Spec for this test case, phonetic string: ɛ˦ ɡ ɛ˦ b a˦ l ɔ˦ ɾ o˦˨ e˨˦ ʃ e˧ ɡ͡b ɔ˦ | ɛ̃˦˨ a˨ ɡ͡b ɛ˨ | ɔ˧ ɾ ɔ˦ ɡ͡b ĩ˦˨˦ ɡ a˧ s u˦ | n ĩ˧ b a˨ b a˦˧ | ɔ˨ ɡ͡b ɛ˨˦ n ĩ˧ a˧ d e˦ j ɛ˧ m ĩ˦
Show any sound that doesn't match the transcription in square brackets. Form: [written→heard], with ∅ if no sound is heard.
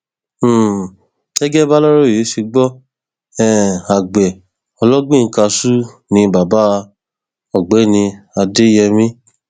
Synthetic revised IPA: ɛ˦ ɡ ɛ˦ b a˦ l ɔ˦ ɾ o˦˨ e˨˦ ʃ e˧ ɡ͡b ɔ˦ | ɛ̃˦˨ a˨ ɡ͡b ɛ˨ | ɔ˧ [ɾ→l] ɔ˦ ɡ͡b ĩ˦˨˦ [ɡ→k] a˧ s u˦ | n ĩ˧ b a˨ b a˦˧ | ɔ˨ ɡ͡b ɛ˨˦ n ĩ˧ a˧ d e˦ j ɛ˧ m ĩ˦